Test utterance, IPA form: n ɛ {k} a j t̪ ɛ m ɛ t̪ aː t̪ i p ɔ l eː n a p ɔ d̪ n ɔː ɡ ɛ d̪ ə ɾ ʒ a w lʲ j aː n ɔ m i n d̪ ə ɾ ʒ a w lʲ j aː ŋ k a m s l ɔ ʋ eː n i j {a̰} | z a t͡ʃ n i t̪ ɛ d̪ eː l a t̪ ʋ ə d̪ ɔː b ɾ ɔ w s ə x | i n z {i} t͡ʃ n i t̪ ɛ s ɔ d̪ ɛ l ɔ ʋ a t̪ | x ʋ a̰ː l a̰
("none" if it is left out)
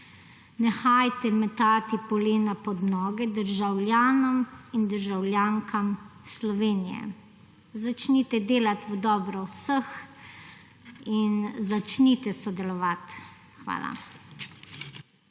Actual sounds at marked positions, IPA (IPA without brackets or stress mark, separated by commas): x, ɛ̰, a